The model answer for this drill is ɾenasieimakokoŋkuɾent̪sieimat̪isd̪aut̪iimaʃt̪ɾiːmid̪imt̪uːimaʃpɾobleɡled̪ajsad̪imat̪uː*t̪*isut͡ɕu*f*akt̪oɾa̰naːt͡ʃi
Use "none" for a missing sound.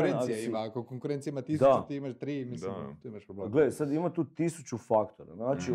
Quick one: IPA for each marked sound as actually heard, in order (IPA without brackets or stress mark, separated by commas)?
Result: t̪, f